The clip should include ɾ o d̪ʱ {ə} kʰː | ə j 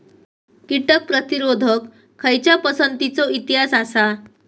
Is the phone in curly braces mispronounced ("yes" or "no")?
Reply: no